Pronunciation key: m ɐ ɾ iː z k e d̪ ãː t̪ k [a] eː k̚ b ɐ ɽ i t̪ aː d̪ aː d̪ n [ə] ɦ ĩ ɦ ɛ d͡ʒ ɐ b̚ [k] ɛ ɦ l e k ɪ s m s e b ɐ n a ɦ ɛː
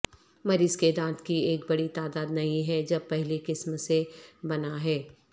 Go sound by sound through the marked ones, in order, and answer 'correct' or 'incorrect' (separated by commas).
incorrect, incorrect, incorrect